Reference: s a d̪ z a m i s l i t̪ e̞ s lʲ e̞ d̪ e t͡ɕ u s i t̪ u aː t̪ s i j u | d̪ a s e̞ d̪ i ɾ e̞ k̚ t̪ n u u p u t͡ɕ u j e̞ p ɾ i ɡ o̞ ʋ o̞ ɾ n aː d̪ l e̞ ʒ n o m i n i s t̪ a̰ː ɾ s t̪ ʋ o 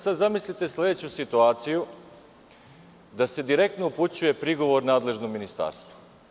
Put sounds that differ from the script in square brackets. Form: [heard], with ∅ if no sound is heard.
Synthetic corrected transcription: s a d̪ z a m i s l i t̪ e̞ s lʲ e̞ d̪ e t͡ɕ u s i t̪ u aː t̪ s i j u | d̪ a s e̞ d̪ i ɾ e̞ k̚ t̪ n [o] u p u t͡ɕ u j e̞ p ɾ i ɡ o̞ ʋ o̞ ɾ n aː d̪ l e̞ ʒ n o m i n i s t̪ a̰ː ɾ s t̪ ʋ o